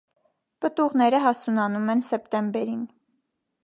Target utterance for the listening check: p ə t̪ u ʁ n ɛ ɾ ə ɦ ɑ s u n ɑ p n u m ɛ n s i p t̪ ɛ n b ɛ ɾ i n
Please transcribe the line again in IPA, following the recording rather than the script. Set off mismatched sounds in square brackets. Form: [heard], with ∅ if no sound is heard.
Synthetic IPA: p ə t̪ u ʁ n ɛ ɾ ə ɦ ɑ s u n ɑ [∅] n u m ɛ n s [ɛ] p t̪ ɛ [m] b ɛ ɾ i n